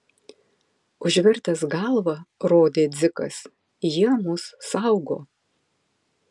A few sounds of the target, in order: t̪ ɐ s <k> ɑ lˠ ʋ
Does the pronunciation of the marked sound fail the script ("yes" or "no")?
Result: yes